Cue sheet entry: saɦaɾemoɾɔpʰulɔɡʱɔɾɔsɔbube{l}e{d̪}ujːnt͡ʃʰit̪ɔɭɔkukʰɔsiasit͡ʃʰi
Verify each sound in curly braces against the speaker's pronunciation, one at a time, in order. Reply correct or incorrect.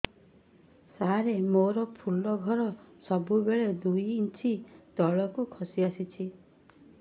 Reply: incorrect: ɭ, correct

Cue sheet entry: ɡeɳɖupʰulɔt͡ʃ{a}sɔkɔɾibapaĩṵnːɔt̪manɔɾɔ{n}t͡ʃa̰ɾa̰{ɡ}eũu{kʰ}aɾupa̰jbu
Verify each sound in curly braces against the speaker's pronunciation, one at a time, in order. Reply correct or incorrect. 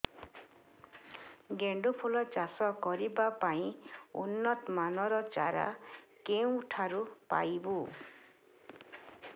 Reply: correct, incorrect: none, incorrect: k, incorrect: ʈʰ

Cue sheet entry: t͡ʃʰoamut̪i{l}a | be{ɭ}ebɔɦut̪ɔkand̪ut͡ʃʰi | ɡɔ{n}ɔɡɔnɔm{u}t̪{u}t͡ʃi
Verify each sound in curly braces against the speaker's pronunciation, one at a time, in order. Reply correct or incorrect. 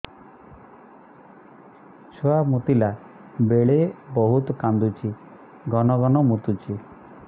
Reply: correct, correct, correct, correct, correct

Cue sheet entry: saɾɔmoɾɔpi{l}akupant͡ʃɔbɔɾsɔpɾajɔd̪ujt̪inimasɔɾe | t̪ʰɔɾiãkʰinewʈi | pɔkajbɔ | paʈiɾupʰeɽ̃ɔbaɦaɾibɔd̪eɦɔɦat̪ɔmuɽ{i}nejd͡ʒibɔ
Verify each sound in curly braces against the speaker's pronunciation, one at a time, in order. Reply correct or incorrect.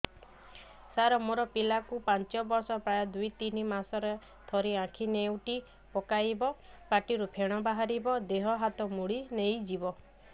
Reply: correct, correct

